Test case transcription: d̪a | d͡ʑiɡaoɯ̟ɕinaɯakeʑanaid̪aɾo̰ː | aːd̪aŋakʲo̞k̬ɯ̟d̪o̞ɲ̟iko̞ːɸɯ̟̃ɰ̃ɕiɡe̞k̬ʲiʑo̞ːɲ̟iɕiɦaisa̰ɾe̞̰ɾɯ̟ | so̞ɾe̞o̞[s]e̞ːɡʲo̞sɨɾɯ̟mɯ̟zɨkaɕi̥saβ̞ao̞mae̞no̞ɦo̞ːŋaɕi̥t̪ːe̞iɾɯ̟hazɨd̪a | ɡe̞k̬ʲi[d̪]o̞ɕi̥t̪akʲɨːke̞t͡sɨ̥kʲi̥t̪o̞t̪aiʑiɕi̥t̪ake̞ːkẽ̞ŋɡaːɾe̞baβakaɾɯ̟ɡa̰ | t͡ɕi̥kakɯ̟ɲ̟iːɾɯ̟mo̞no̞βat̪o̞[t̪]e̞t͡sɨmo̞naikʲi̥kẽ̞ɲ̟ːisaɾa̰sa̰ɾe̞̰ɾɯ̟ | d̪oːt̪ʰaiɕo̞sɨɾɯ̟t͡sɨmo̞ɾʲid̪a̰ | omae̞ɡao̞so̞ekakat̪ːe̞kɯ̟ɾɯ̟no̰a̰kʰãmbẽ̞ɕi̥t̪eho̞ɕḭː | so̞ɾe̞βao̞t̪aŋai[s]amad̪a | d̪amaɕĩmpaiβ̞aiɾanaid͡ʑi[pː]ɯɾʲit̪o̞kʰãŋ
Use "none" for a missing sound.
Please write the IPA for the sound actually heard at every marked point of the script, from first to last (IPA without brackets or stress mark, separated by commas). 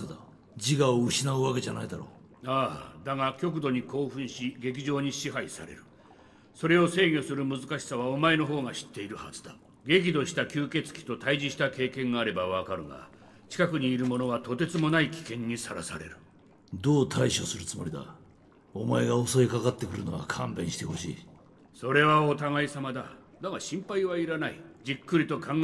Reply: s, d̪, t̪, s, kː